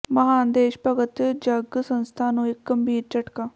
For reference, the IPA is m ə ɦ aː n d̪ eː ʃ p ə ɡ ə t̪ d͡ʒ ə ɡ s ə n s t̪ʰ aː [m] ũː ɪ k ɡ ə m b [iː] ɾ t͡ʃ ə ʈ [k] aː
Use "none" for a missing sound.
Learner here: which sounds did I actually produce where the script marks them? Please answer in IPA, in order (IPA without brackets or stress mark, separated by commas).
n, iː, k